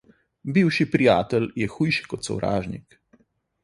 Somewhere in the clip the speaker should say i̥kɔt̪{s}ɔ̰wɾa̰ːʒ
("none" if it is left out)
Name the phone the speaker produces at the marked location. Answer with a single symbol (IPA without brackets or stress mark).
s